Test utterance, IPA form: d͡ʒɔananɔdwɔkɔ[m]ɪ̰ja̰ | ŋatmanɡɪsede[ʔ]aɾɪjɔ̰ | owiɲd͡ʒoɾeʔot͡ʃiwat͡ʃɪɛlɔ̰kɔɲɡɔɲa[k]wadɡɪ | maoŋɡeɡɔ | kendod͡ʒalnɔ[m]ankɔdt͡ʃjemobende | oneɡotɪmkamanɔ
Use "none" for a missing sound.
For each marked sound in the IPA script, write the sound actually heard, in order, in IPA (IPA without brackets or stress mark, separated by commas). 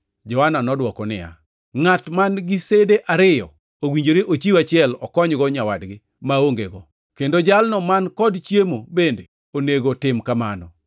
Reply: n, ʔ, none, m